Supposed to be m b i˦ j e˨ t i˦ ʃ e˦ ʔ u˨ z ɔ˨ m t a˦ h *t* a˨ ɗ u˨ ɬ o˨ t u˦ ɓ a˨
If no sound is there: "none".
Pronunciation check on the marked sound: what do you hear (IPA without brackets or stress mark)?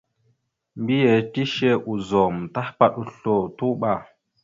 p